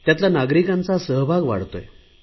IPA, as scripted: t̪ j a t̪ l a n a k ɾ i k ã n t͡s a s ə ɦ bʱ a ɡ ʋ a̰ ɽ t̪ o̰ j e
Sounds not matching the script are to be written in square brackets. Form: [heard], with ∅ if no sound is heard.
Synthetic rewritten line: t̪ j a t̪ l a n a [ɡ] ɾ i k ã n t͡s a s ə ɦ bʱ a ɡ ʋ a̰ ɽ t̪ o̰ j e